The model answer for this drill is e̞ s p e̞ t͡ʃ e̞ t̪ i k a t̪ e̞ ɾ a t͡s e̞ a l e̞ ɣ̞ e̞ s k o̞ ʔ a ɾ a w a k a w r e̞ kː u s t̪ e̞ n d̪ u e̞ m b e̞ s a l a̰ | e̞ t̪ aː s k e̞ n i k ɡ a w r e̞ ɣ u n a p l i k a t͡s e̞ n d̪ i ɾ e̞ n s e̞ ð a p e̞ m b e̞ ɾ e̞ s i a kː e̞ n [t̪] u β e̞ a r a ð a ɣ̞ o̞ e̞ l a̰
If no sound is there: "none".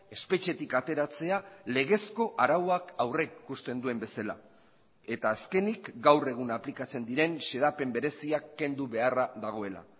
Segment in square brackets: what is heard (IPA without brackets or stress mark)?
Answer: d̪